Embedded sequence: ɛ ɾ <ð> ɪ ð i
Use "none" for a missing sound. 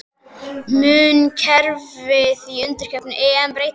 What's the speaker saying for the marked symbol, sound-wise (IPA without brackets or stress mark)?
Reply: v